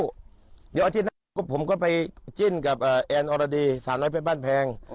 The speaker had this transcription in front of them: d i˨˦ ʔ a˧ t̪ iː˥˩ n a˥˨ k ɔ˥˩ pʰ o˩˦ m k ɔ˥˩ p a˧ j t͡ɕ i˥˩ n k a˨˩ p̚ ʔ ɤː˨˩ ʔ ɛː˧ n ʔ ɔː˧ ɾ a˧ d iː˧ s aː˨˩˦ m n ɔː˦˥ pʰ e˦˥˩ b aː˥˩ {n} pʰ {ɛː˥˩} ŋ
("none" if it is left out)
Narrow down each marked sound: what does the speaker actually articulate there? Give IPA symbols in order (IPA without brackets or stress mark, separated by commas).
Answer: n, ɛː˧